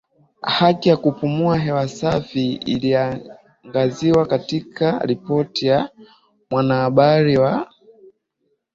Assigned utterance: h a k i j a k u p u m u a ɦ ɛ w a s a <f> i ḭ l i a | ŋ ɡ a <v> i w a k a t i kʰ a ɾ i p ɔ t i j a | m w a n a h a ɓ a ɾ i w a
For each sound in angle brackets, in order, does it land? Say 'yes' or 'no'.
yes, no

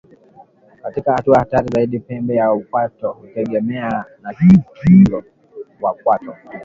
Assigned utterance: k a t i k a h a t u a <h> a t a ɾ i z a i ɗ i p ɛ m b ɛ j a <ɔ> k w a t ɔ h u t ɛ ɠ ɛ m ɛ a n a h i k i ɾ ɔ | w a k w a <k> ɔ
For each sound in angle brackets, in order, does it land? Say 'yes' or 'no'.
yes, no, no

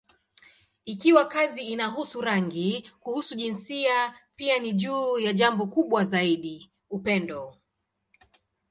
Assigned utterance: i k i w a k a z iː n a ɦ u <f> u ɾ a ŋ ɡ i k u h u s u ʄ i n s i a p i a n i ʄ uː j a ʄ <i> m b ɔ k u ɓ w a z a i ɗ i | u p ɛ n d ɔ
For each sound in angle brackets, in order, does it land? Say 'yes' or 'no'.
no, no

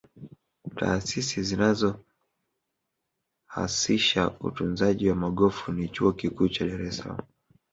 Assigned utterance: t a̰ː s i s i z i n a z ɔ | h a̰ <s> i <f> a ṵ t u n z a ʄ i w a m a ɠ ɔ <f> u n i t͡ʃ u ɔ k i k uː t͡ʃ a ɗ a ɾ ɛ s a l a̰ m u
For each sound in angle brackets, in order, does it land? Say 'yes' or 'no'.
yes, no, yes

